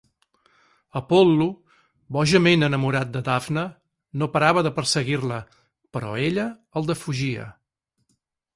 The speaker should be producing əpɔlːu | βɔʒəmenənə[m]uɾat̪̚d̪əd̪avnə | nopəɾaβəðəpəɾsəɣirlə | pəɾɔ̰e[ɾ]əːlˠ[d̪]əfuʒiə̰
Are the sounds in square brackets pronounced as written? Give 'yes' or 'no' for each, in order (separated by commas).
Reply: yes, no, yes